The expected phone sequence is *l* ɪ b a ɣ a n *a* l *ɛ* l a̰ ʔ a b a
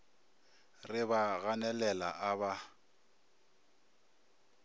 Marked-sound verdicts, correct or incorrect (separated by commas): incorrect, incorrect, correct